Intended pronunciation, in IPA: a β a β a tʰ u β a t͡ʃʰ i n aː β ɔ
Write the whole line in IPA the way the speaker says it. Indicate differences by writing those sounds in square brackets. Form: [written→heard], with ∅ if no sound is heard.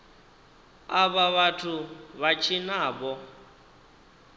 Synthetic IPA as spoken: a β a β a tʰ u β a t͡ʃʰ i n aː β ɔ